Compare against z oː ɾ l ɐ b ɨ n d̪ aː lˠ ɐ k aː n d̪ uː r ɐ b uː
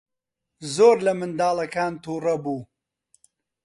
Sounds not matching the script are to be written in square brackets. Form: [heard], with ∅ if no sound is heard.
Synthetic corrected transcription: z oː ɾ l ɐ [m] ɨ n d̪ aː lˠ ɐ k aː n [t̪] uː r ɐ b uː